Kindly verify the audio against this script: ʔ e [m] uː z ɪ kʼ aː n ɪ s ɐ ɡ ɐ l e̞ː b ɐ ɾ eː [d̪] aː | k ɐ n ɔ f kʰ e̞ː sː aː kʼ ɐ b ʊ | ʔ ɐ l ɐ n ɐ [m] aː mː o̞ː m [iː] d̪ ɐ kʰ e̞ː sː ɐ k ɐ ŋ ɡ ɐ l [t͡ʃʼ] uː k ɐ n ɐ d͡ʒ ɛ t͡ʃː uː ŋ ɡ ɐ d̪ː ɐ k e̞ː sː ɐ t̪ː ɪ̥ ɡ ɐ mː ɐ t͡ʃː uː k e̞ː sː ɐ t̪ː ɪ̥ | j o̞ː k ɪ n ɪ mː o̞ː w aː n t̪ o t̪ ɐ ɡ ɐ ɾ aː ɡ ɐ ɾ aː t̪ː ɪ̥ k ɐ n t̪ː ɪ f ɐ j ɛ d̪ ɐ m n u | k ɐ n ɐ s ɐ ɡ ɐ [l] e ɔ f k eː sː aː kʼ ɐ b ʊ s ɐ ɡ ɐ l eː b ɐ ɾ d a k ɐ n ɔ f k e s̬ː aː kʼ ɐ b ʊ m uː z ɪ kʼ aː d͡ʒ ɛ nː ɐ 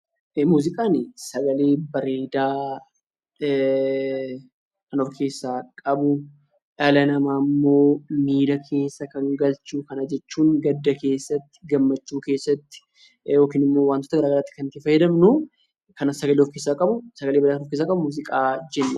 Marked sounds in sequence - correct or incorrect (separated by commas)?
correct, correct, correct, correct, incorrect, correct